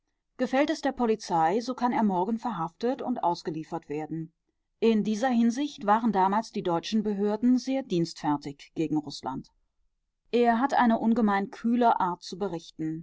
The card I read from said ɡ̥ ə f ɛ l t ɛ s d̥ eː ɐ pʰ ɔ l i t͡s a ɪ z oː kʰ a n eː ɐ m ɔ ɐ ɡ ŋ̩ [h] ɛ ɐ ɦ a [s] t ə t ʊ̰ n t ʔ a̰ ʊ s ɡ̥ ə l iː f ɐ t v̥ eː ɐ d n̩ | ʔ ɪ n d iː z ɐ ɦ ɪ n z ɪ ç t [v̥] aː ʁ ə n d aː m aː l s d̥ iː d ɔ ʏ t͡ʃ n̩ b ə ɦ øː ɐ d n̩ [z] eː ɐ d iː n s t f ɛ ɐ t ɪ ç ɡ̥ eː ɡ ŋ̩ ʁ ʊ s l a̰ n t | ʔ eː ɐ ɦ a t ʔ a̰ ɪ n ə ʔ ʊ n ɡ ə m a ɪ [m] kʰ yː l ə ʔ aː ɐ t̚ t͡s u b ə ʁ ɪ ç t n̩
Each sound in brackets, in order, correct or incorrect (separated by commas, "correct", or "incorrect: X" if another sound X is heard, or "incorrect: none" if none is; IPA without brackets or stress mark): incorrect: f, incorrect: f, correct, correct, incorrect: n